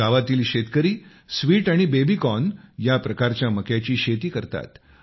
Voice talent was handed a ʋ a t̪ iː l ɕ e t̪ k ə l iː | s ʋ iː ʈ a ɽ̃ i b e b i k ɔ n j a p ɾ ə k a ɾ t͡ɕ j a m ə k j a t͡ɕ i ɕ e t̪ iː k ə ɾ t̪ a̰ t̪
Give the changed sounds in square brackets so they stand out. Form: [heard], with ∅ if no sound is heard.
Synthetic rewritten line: a ʋ a t̪ iː l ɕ e t̪ k ə [ɾ] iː | s ʋ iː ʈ a ɽ̃ i b e b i k ɔ n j a p ɾ ə k a ɾ t͡ɕ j a m ə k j a t͡ɕ [iː] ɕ e t̪ iː k ə ɾ t̪ a̰ t̪